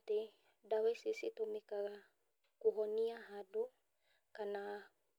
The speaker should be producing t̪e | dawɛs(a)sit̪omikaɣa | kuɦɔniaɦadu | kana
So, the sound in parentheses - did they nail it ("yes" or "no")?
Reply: no